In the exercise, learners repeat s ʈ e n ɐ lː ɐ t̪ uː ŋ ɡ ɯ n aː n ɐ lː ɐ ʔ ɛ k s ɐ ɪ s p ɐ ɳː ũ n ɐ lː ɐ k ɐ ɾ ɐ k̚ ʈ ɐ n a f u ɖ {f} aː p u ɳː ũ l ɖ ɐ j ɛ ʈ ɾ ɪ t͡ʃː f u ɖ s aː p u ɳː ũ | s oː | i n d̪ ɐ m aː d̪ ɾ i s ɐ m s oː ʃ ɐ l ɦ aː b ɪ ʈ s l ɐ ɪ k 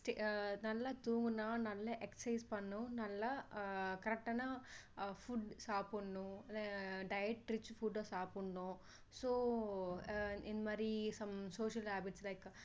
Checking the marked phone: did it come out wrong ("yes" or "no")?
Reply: yes